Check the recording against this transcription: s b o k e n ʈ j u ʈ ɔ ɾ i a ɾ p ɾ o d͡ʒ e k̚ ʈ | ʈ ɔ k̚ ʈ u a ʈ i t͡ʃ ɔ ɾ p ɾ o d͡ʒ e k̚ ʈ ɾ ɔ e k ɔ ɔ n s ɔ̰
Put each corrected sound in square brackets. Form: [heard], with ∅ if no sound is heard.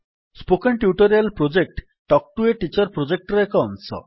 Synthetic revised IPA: s [p] o k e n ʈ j u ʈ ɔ ɾ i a [l] p ɾ o d͡ʒ e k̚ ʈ | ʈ ɔ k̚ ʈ u [e] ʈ i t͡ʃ ɔ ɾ p ɾ o d͡ʒ e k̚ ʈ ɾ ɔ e k ɔ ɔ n s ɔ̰

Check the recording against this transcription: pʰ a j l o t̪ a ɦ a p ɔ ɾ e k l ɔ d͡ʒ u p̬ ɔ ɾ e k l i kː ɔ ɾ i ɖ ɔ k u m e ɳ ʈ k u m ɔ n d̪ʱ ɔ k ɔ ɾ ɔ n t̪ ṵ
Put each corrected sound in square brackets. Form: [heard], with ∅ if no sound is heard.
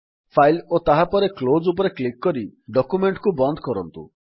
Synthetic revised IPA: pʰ a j l o t̪ a ɦ a p ɔ ɾ e k l [o] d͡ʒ u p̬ ɔ ɾ e k l i kː ɔ ɾ i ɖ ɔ k u m e ɳ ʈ k u [b] ɔ n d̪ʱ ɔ k ɔ ɾ ɔ n t̪ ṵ

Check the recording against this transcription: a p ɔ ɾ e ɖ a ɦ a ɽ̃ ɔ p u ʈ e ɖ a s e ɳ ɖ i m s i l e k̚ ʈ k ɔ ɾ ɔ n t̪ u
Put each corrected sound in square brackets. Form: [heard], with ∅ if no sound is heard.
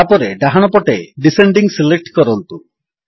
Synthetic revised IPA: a p ɔ ɾ e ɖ a ɦ a ɽ̃ ɔ p [ɔ] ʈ e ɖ [i] s e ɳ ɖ i [ŋ] s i l e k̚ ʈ k ɔ ɾ ɔ n t̪ u

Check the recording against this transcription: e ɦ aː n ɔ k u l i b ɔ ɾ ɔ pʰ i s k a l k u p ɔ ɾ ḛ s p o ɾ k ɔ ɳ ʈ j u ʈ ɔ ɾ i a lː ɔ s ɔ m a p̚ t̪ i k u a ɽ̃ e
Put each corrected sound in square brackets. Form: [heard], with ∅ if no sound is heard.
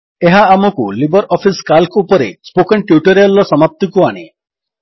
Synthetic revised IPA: e ɦ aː [m] ɔ k u l i b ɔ ɾ ɔ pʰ i s k a l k u p ɔ ɾ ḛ s p o [∅] k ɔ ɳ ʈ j u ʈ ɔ ɾ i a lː ɔ s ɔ m a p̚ t̪ i k u a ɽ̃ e

